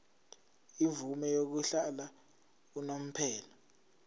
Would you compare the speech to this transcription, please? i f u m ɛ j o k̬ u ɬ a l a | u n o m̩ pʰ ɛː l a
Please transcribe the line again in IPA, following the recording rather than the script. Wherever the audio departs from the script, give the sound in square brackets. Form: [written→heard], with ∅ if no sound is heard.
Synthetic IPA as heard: i [f→v] u m ɛ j o k̬ u ɬ a l a | u n o m̩ pʰ ɛː l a

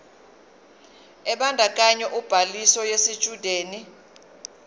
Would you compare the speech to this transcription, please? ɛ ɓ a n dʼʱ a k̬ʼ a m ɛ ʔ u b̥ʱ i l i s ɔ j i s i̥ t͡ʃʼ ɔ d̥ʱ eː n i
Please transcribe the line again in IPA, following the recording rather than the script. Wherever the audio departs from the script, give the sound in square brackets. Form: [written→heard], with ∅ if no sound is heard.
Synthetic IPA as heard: ɛ ɓ a n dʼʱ a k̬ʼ a [m→ɲ] ɛ ʔ u b̥ʱ [i→a] l i s ɔ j [i→e] s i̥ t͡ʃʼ [ɔ→u] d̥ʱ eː n i

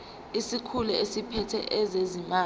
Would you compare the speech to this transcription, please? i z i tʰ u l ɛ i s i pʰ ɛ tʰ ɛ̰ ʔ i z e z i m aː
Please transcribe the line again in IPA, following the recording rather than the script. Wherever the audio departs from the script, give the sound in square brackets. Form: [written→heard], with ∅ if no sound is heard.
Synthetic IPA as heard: i [z→s] i [tʰ→kʰ] u l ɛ [i→e] s i pʰ ɛ tʰ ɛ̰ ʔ [i→ɛ] z e z i m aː

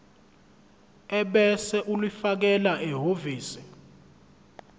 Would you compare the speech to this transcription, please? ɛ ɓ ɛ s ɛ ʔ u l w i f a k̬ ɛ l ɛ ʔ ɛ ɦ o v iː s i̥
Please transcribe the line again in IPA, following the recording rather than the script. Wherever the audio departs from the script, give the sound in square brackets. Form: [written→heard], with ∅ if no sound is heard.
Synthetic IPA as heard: ɛ ɓ ɛ s ɛ ʔ u l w i f a k̬ ɛ l [ɛ→a] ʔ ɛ ɦ o v iː s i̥

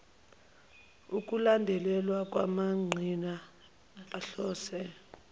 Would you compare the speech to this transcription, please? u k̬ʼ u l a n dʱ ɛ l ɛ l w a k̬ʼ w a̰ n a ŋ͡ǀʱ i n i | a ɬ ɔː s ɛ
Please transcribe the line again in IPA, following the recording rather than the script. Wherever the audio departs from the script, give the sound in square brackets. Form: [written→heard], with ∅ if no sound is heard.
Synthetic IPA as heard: u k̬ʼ u l a n dʱ ɛ l ɛ l w a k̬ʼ w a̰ [n→m] a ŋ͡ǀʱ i n [i→a] | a ɬ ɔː s ɛ

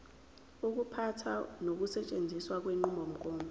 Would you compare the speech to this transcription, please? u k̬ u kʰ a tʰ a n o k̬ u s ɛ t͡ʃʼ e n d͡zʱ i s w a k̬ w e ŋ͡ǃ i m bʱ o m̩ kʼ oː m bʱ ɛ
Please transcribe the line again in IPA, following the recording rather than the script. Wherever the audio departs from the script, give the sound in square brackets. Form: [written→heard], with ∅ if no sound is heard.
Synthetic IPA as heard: u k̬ u [kʰ→pʰ] a tʰ a n o k̬ u s ɛ t͡ʃʼ e n d͡zʱ i s w a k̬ w e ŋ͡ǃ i m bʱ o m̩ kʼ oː m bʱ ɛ

